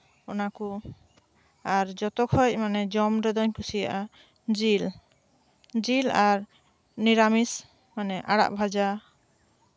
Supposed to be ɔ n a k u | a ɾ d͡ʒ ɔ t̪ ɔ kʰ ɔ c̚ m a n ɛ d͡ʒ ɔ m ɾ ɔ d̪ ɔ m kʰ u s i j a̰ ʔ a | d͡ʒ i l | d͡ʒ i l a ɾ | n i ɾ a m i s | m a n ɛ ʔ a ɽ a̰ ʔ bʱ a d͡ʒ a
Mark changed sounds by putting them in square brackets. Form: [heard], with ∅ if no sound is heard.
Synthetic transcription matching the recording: ɔ n a k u | a ɾ d͡ʒ ɔ t̪ ɔ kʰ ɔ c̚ m a n ɛ d͡ʒ ɔ m ɾ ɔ d̪ ɔ [ɲ] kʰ u s i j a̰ ʔ a | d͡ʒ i l | d͡ʒ i l a ɾ | n i ɾ a m i s | m a n ɛ ʔ a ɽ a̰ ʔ bʱ a d͡ʒ a